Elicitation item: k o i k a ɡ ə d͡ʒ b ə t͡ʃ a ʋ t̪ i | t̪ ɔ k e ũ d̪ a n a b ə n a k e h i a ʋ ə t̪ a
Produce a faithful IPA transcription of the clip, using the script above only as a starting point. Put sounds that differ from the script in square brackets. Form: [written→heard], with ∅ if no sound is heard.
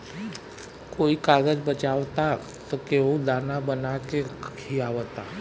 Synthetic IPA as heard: k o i k a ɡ ə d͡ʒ b ə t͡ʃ a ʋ t̪ [i→a] | t̪ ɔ k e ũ d̪ a n a b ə n a k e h i a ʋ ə t̪ a